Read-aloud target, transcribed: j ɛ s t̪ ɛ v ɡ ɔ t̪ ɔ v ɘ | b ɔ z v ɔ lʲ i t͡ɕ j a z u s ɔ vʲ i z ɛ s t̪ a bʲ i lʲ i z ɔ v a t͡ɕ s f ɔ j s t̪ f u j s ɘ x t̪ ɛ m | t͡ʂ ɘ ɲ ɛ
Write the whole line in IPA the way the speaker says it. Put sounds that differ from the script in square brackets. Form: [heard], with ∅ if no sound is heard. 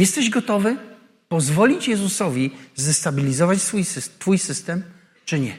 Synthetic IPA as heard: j ɛ s t̪ ɛ [ʑ] ɡ ɔ t̪ ɔ v ɘ | [p] ɔ z v ɔ lʲ i t͡ɕ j [ɛ] z u s ɔ vʲ i z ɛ s t̪ a bʲ i lʲ i z ɔ v a t͡ɕ s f [u] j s t̪ f u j s ɘ [s] t̪ ɛ m | t͡ʂ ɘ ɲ ɛ